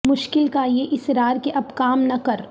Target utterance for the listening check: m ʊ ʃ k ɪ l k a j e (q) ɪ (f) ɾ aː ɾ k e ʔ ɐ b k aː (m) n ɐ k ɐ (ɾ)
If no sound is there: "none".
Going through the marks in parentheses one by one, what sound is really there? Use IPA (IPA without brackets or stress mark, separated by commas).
ʔ, s, m, ɾ